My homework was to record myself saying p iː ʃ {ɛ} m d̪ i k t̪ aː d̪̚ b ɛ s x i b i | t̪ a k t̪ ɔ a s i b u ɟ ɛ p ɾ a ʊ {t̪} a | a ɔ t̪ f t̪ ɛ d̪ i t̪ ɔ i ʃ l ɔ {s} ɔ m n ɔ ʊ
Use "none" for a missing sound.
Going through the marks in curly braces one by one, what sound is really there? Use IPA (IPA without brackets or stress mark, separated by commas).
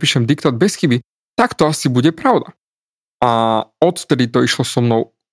ɛ, d̪, s